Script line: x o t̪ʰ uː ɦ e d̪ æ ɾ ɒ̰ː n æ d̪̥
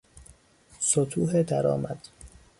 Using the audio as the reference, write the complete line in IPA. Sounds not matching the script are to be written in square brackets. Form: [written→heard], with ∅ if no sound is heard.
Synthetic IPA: [x→s] o t̪ʰ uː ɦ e d̪ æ ɾ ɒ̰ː [n→m] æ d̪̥